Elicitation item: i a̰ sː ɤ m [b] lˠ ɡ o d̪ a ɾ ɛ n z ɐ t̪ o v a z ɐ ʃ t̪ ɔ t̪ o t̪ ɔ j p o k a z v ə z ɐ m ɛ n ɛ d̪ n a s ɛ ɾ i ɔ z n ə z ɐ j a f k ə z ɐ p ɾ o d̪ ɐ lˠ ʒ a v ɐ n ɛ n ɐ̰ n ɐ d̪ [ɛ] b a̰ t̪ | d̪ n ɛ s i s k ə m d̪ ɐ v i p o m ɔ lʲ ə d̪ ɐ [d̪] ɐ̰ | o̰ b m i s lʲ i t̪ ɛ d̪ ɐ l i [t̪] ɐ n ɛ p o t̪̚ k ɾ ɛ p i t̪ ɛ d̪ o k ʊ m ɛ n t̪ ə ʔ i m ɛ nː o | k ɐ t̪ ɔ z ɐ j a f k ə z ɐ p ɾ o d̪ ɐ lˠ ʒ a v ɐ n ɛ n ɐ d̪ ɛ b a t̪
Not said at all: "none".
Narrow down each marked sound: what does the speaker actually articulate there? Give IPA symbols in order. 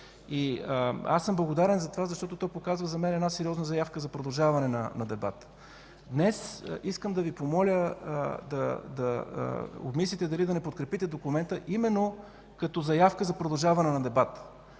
b, ɛ, d̪, d̪

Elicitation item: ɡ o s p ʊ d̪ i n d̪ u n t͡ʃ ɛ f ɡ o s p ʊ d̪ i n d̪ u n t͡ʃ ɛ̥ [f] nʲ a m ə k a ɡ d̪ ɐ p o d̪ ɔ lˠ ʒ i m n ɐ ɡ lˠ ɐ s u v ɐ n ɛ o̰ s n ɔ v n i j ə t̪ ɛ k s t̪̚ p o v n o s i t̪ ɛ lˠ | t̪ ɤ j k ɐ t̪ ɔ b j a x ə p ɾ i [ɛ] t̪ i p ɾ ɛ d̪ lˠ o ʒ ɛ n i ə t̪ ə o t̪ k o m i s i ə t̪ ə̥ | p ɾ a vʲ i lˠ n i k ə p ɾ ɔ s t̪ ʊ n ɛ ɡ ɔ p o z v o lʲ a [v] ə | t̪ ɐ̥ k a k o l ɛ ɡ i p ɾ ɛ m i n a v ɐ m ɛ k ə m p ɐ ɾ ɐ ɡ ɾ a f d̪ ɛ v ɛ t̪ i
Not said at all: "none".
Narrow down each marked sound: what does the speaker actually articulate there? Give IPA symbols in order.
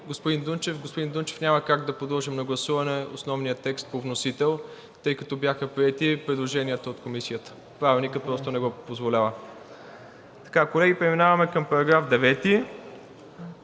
f, ɛ, v

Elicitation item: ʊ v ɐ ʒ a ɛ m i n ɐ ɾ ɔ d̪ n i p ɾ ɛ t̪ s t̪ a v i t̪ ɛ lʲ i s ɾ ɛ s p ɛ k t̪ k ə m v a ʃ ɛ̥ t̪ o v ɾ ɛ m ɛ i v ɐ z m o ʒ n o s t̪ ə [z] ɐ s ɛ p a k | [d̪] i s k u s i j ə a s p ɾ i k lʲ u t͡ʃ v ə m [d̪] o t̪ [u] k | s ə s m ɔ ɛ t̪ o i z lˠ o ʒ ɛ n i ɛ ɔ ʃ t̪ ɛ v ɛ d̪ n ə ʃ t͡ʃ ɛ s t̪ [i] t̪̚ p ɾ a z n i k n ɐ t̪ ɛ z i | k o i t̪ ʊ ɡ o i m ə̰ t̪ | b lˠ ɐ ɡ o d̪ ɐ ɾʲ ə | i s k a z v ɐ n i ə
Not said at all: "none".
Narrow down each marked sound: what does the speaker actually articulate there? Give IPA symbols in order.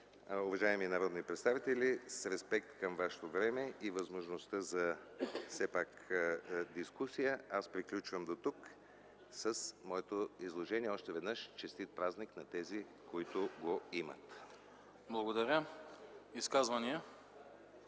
z, d̪, d̪, u, i

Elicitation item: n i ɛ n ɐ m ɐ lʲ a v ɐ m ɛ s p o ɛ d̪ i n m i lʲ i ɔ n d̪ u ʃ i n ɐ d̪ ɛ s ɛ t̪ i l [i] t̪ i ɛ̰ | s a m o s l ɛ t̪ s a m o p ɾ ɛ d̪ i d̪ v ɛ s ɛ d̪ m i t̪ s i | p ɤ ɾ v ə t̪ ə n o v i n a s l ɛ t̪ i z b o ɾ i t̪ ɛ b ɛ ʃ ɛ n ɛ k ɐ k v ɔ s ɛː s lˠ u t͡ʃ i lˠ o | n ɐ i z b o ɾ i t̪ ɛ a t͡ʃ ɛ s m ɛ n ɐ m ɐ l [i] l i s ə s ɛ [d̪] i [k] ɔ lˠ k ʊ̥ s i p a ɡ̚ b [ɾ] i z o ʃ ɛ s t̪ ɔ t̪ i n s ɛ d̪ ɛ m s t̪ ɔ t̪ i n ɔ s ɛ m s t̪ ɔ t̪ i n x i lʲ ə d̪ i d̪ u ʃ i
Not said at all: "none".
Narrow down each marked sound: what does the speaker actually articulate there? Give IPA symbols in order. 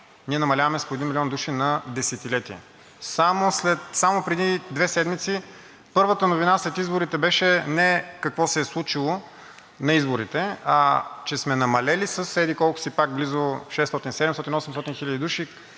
ɛ, ɛ, d̪, k, l

